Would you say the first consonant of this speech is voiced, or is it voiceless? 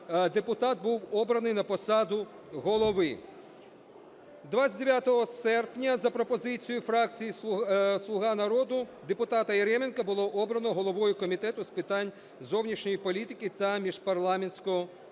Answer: voiced